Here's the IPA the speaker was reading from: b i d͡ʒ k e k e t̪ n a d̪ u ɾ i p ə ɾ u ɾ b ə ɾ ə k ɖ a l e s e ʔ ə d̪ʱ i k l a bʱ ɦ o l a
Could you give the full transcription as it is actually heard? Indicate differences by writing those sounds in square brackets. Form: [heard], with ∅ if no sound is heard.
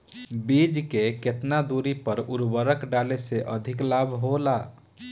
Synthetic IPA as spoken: b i d͡ʒ k e k e t̪ n a d̪ u ɾ i p ə ɾ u ɾ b ə ɾ ə k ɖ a l e s e ʔ ə d̪ʱ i k l a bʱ ɦ o l a